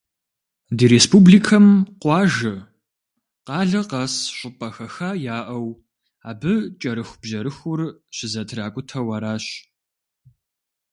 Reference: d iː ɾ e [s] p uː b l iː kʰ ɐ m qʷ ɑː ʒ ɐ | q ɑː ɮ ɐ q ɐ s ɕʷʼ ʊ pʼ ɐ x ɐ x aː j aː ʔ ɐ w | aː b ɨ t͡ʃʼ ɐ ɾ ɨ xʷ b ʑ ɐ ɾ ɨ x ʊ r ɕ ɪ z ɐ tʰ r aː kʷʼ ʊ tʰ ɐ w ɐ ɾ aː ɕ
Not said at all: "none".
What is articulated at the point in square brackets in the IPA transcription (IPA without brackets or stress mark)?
s